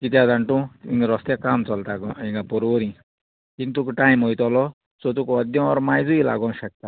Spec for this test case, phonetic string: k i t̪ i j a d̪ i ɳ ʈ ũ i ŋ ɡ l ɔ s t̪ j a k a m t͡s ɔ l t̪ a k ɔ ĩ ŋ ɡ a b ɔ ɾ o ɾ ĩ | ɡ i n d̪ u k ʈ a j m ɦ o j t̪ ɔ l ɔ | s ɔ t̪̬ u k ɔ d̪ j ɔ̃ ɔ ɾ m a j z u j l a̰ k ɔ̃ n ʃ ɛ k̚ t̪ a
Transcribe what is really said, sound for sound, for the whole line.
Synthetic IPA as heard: k i t̪ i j a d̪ a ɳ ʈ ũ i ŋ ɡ ɾ ɔ s t̪ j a k a m t͡s ɔ l t̪ a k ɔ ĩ ŋ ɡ a p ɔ ɾ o ɾ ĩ | k i n t̪ u k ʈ a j m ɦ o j t̪ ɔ l ɔ | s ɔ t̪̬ u k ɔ d̪ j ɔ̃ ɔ ɾ m a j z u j l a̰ ɡ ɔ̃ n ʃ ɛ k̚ t̪ a

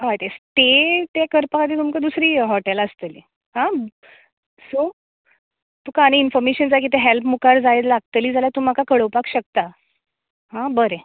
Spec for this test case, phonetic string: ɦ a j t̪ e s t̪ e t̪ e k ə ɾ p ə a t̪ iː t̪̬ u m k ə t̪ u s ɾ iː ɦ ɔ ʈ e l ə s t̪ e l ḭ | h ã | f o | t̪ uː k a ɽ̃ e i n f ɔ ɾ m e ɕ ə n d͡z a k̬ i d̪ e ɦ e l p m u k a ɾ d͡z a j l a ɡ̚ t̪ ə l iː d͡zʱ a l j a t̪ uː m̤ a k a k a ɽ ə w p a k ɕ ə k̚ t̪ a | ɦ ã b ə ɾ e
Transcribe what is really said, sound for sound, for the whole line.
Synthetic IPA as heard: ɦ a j t̪ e s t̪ e t̪ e k ə ɾ p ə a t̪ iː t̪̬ u m k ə d̪ u s ɾ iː ɦ ɔ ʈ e l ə s t̪ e l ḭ | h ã | s o | t̪ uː k a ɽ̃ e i n f ɔ ɾ m e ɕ ə n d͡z a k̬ i t̪ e ɦ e l p m u k a ɾ d͡z a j l a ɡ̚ t̪ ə l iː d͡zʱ a l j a t̪ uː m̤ a k a k ə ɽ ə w p a k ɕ ə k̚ t̪ a | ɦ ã b ə ɾ e

